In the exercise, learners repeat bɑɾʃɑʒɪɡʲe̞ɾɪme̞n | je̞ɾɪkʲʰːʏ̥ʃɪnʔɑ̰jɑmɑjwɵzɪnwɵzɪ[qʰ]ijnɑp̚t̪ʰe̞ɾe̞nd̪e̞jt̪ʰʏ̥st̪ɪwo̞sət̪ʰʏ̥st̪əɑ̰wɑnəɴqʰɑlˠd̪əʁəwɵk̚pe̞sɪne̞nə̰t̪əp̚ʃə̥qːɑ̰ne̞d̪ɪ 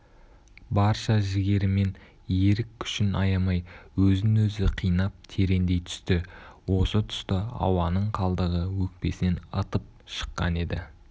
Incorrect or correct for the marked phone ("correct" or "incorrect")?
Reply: correct